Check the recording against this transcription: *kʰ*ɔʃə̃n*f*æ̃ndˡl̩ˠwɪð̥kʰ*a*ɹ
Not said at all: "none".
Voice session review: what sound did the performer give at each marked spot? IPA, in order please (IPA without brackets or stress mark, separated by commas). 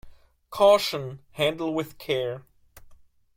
kʰ, h, ɛ